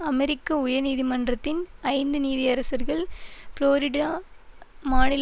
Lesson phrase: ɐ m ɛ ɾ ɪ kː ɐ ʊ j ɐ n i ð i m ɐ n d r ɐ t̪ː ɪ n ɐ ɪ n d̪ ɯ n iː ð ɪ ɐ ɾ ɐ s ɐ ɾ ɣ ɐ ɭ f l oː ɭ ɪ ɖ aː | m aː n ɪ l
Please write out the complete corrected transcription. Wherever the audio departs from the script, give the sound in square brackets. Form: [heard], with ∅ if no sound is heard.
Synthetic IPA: ɐ m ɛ ɾ ɪ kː ɐ ʊ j ɐ n [iː] ð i m ɐ n d r ɐ t̪ː ɪ n ɐ ɪ n d̪ ɯ n iː ð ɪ ɐ ɾ ɐ s ɐ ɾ ɣ ɐ ɭ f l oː [ɾ] ɪ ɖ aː | m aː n ɪ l